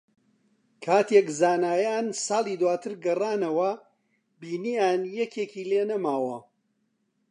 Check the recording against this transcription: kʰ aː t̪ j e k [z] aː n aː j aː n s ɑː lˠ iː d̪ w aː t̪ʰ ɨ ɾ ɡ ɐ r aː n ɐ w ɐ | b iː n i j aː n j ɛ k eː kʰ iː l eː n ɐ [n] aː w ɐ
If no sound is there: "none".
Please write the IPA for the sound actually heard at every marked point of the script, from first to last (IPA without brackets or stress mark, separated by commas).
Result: z, m